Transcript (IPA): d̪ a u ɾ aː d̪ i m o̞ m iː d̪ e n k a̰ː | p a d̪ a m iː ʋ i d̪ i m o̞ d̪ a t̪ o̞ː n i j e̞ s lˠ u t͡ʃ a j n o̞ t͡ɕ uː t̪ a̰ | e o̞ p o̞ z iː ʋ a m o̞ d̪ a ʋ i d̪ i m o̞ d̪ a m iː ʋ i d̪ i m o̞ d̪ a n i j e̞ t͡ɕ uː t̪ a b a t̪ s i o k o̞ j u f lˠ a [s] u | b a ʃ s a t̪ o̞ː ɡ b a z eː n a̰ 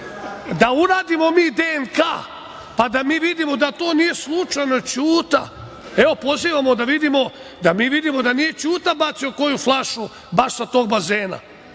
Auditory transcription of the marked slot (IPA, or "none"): ʃ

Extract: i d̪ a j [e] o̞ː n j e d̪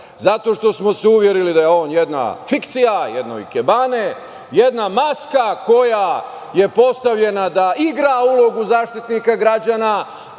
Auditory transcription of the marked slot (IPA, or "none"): e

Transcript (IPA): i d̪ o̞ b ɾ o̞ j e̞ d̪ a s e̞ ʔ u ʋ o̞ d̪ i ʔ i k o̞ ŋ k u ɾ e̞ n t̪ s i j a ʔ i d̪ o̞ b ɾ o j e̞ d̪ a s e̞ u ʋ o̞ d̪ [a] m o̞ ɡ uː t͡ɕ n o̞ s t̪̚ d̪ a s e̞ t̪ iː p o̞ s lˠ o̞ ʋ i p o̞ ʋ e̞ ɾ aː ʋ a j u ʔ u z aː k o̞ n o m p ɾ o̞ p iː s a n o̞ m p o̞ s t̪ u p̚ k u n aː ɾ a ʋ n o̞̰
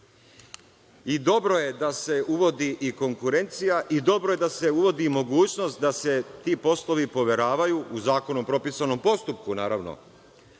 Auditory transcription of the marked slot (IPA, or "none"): i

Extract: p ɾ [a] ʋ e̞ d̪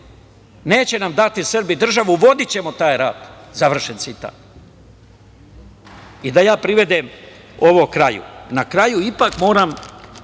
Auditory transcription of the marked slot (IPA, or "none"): i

